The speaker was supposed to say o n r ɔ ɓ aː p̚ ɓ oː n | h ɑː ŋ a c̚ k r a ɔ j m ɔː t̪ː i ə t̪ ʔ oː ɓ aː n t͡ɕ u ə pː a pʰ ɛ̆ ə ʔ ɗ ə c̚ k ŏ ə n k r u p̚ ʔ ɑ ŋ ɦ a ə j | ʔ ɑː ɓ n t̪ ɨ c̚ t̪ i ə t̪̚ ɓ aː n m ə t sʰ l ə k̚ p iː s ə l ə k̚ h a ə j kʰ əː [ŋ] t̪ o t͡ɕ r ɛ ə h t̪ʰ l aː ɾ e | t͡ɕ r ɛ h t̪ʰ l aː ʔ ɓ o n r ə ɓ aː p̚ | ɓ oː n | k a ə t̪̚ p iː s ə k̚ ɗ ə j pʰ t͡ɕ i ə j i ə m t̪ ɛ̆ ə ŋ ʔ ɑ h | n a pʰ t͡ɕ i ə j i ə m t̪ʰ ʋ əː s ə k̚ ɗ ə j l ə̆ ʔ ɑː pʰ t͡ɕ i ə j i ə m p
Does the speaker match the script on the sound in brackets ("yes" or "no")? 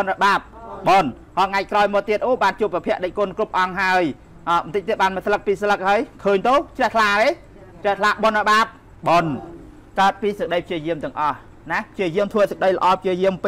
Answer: no